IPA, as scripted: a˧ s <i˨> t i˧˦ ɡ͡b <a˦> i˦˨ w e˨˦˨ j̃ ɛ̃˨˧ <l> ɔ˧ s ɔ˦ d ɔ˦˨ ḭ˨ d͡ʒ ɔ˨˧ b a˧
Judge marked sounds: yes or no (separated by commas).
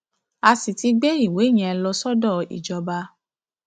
yes, no, yes